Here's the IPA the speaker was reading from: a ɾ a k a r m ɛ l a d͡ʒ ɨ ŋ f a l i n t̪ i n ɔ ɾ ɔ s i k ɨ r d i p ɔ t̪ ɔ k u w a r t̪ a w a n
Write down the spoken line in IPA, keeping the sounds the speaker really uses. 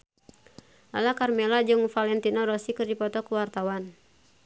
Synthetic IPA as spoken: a l a k a r m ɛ l a d͡ʒ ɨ ŋ f a l ɛ n t̪ i n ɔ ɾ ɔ s i k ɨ r d i p ɔ t̪ ɔ k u w a r t̪ a w a n